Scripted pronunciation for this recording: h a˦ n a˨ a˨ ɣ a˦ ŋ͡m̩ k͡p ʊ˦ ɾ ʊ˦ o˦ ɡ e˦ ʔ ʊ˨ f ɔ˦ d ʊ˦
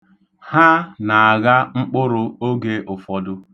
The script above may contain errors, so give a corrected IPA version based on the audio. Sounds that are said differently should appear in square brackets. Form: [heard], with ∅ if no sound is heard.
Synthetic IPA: h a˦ n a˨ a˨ ɣ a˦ ŋ͡m̩ k͡p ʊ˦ ɾ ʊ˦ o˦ ɡ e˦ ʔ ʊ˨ f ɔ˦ d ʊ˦